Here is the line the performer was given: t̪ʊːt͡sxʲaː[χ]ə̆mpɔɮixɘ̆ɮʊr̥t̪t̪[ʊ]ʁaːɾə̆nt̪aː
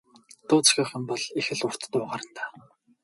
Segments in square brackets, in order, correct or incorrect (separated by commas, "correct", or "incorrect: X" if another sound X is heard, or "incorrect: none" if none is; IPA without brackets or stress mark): correct, incorrect: ʊː